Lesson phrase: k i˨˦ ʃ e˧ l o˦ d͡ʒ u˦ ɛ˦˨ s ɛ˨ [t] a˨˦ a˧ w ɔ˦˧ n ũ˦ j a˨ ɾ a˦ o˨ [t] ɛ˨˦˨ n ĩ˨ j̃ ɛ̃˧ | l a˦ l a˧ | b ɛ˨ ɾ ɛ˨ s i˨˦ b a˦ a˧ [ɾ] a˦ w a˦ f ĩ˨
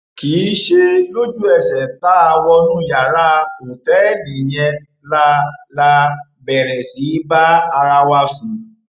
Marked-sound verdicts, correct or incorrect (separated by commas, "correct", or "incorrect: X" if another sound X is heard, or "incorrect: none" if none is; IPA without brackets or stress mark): correct, correct, correct